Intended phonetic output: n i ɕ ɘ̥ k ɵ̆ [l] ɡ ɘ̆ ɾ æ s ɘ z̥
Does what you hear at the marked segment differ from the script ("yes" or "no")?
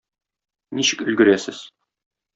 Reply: no